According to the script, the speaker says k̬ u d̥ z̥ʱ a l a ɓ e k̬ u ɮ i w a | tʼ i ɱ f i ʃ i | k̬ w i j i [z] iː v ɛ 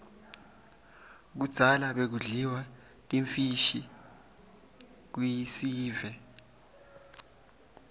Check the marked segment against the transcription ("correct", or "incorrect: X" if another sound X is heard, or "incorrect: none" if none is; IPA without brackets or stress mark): incorrect: s